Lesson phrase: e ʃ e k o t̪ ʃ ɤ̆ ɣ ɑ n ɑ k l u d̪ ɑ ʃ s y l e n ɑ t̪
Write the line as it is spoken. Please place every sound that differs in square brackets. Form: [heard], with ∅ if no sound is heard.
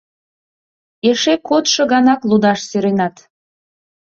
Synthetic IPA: e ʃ e k o t̪ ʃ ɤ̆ ɣ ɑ n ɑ k l u d̪ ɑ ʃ s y [ɾ] e n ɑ t̪